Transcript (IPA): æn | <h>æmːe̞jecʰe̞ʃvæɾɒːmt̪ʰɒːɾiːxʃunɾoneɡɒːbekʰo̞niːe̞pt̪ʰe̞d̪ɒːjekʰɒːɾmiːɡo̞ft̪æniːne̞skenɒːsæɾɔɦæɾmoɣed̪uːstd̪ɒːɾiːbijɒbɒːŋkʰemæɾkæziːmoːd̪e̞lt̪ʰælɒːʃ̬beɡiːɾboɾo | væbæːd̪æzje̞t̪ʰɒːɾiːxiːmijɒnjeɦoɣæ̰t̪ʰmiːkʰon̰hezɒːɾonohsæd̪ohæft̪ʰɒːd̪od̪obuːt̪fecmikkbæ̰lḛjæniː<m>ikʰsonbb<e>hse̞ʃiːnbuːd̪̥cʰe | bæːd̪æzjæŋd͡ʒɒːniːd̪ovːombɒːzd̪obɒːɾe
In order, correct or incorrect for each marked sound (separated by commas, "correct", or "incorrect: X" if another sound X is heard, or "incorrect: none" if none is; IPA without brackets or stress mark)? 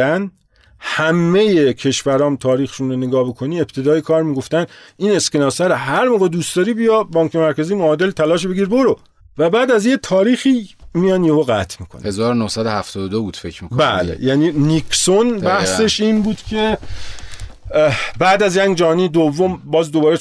correct, incorrect: n, incorrect: æ